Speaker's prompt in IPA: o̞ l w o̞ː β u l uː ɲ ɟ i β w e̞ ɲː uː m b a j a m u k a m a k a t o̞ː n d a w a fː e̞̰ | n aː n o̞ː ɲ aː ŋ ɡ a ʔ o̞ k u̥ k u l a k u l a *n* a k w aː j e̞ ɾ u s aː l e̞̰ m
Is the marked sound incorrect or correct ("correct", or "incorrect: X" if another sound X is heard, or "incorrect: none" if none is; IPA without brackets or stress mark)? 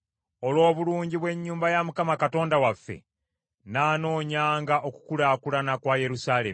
correct